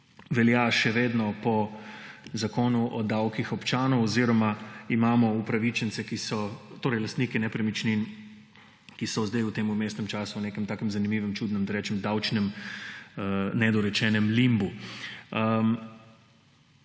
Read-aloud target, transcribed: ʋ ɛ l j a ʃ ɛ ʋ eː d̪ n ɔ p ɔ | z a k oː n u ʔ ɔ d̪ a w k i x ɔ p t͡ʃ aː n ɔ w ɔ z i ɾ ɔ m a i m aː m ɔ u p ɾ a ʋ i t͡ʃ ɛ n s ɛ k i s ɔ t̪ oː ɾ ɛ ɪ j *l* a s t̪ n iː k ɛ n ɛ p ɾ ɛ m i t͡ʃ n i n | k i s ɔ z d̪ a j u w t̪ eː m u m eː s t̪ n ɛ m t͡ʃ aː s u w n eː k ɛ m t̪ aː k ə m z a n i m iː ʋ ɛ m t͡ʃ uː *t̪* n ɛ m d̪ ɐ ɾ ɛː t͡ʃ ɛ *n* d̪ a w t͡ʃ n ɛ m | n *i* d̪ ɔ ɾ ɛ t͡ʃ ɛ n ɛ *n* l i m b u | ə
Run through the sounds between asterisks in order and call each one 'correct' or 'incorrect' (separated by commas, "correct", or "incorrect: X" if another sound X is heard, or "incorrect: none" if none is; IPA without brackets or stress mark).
correct, incorrect: d̪, incorrect: m, incorrect: ɛ, incorrect: m